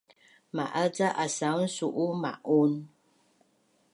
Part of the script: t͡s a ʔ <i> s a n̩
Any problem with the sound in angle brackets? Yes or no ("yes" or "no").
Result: yes